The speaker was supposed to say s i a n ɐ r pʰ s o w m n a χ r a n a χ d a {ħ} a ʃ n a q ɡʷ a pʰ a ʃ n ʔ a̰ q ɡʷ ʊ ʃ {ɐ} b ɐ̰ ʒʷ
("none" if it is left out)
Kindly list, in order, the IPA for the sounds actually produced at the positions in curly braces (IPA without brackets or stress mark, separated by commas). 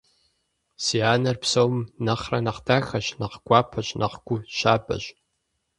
x, a